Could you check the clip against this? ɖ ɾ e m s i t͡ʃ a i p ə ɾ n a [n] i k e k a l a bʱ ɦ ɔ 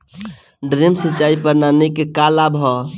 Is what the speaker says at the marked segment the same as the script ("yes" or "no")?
yes